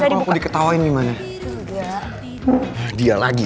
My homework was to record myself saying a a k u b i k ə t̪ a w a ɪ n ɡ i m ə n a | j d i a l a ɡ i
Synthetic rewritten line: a a k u d i k ə t̪ a w a ɪ n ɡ i m a n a | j d i a l a ɡ i